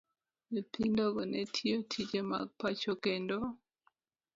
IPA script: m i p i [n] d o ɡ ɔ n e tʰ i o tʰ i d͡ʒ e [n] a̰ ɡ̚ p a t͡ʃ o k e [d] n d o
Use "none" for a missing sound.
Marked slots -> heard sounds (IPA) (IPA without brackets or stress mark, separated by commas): n, m, none